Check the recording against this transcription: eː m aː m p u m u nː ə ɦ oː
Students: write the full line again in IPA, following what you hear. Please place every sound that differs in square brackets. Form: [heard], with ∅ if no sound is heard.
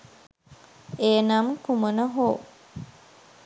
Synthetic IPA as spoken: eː [n] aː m [k] u m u [n] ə ɦ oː

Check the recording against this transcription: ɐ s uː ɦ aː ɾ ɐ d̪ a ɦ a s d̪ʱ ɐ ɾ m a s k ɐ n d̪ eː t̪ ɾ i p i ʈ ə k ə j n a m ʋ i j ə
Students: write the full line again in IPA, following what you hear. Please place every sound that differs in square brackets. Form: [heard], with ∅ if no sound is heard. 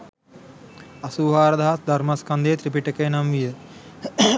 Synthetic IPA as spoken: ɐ s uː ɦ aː ɾ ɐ d̪ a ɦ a s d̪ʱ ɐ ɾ m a s k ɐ n d̪ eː t̪ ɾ i p i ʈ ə k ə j n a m ʋ i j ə

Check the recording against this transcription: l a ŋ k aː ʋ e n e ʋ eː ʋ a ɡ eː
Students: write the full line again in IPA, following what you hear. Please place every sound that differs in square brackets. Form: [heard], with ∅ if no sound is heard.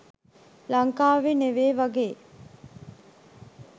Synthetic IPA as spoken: l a ŋ k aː ʋ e n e ʋ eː ʋ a ɡ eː

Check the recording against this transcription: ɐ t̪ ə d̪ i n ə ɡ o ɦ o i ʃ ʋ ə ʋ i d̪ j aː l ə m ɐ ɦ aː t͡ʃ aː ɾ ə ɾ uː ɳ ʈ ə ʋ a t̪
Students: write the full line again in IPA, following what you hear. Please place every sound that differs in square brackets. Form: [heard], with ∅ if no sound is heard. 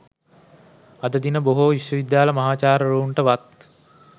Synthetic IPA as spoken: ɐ [d̪] ə d̪ i n ə [b] o ɦ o i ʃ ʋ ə ʋ i d̪ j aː l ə m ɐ ɦ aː t͡ʃ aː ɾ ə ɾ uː ɳ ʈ ə ʋ a t̪

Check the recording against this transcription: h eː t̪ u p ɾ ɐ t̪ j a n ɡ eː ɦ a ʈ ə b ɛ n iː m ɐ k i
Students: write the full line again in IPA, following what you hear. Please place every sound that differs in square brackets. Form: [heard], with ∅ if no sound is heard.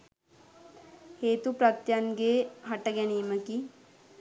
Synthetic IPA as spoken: h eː t̪ u p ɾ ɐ t̪ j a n ɡ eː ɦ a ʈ ə [ɡ] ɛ n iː m [ə] k i

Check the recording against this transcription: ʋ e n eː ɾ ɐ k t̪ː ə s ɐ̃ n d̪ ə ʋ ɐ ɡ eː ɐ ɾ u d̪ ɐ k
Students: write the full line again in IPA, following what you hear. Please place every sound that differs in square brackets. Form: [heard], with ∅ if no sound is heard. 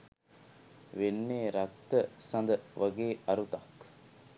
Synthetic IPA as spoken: ʋ e [nː] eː ɾ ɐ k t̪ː ə s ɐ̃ n d̪ ə ʋ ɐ ɡ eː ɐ ɾ u [t̪] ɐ k

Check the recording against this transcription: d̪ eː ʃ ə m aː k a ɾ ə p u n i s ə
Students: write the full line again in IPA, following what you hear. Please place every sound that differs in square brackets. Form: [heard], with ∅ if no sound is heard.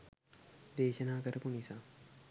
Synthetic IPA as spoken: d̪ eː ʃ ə [n] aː k [ə] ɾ ə p u n i s [a]

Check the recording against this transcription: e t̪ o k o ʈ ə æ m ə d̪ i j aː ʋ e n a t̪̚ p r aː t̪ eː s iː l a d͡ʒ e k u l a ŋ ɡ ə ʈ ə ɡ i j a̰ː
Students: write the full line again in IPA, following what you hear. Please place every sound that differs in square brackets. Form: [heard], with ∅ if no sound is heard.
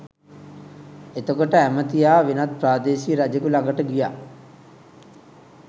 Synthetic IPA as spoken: e t̪ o k o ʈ ə æ m ə [t̪] i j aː ʋ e n a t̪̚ p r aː [d̪] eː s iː [ɾ] a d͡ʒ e k u l a ŋ ɡ ə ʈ ə ɡ i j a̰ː

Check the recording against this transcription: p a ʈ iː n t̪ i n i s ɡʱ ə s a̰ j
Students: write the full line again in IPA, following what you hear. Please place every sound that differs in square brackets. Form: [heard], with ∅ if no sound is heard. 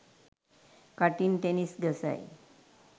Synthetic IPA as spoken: [k] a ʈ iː n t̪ [e] n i s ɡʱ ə s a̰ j

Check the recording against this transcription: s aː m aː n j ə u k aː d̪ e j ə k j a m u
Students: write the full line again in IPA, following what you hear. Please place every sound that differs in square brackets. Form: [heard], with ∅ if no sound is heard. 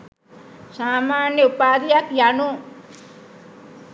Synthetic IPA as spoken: s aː m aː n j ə u [p] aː d̪ [i] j [a] k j a [n] u

